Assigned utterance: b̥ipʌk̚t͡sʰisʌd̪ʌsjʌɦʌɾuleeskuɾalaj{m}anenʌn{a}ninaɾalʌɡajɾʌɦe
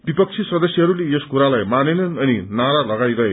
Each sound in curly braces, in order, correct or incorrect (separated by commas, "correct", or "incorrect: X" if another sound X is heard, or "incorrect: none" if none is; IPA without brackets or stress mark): correct, incorrect: ʌ